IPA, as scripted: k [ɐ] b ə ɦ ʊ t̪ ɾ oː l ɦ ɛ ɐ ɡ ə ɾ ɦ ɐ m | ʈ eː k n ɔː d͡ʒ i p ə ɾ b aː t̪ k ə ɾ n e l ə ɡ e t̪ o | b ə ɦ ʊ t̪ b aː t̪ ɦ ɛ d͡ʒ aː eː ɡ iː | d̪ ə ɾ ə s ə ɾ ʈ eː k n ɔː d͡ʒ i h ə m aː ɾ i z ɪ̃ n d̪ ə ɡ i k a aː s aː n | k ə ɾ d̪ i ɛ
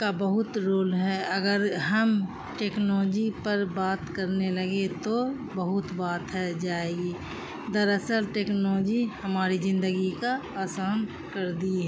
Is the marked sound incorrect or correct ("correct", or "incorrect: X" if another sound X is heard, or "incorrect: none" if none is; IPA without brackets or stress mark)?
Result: incorrect: a